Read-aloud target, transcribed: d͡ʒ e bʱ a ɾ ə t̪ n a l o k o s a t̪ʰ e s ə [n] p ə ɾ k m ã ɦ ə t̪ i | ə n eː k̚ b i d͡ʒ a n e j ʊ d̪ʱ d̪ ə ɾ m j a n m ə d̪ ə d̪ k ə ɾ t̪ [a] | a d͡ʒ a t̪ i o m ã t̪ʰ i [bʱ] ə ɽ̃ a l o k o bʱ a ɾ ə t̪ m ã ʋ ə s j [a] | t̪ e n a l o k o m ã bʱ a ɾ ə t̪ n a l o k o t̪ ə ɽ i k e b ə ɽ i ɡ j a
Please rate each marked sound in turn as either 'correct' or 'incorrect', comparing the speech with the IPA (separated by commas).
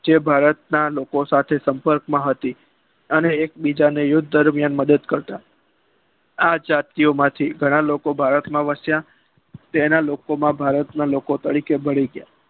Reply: incorrect, correct, incorrect, correct